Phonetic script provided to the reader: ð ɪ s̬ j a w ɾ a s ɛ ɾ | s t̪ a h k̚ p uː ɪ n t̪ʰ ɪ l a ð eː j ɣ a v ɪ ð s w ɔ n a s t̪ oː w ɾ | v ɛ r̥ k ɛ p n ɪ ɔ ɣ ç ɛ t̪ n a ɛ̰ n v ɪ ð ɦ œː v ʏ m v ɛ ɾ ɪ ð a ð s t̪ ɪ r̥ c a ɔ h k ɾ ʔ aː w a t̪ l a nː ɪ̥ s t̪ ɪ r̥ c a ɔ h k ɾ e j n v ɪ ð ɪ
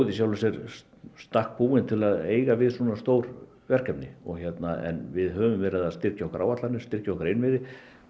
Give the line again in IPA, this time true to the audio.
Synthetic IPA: ð ɪ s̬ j a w l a s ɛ ɾ | s t̪ a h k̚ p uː ɪ n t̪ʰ ɪ l a ð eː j ɣ a v ɪ ð s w ɔ n a s t̪ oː w ɾ | v ɛ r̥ k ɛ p n ɪ ɔ ɣ ç ɛ t̪ n a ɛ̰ n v ɪ ð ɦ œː v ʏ m v ɛ ɾ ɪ ð a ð s t̪ ɪ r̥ c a ɔ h k ɾ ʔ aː w a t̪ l a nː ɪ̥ s t̪ ɪ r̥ c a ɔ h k ɾ e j n v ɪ ð ɪ